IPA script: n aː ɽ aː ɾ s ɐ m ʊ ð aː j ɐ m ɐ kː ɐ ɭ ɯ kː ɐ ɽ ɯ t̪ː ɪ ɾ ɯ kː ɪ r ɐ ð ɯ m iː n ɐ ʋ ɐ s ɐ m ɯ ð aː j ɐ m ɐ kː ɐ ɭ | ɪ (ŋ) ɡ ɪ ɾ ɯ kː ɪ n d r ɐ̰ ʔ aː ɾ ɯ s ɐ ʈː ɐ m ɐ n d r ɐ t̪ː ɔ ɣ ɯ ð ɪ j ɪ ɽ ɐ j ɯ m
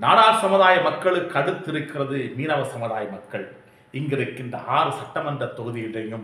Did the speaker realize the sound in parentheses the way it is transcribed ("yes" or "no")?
yes